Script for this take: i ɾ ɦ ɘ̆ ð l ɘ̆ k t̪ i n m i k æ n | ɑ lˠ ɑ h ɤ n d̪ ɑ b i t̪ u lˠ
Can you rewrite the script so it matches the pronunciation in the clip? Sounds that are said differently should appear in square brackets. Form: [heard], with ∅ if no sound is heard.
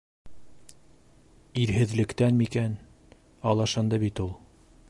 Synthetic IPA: i ɾ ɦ ɘ̆ ð l ɘ̆ k t̪ [æ] n m i k æ n | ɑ lˠ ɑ [ʃ] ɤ n d̪ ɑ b i t̪ u lˠ